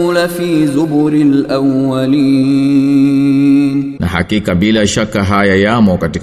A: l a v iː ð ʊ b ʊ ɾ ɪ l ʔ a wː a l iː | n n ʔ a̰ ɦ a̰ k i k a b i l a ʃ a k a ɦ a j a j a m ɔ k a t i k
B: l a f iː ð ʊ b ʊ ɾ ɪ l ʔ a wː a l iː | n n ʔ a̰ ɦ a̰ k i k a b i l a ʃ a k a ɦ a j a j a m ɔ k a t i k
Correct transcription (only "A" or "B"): B